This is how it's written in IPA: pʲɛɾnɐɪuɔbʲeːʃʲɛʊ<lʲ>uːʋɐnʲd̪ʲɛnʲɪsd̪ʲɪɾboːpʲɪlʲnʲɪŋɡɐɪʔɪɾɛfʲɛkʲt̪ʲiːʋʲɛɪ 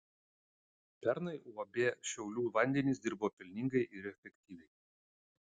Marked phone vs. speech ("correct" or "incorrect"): correct